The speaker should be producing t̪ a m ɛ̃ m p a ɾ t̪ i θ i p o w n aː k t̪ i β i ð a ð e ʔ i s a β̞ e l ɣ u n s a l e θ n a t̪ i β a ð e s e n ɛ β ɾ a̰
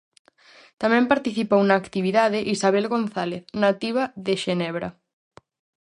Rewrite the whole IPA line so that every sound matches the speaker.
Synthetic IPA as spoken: t̪ a m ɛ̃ m p a ɾ t̪ i θ i p o w n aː k t̪ i β i ð a ð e ʔ i s a β̞ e l ɣ o n θ a l e θ n a t̪ i β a ð e ʃ e n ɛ β ɾ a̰